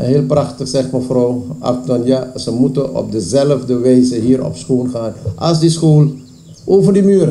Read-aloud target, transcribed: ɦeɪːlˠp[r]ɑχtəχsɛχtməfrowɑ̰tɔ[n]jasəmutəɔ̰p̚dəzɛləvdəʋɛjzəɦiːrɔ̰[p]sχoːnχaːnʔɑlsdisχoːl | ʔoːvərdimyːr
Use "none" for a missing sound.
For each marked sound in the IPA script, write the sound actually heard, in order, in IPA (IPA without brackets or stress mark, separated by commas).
r, n, p